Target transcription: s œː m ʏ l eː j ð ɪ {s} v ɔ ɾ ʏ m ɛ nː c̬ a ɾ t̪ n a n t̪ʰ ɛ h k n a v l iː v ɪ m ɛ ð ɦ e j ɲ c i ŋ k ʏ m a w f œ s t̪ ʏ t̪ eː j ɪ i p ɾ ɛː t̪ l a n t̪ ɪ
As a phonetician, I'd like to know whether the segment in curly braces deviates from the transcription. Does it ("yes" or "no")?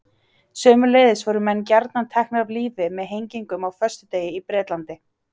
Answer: no